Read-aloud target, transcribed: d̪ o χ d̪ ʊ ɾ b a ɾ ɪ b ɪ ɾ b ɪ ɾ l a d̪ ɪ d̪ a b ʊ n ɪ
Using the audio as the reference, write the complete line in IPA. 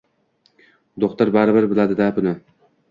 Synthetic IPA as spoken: d̪ o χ t̪ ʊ ɾ b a ɾ ɪ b ɪ ɾ b ɪ l a d̪ ɪ d̪ a b ʊ n ɪ